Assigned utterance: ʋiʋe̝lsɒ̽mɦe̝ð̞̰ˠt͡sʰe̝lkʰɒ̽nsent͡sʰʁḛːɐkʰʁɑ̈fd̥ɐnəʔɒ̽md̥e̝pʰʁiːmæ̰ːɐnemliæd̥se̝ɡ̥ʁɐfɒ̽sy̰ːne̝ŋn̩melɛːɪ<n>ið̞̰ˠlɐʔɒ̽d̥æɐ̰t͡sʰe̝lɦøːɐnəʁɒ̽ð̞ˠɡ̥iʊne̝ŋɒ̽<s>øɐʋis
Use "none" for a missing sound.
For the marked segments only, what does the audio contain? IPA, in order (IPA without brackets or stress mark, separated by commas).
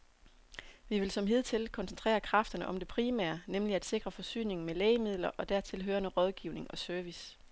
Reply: m, s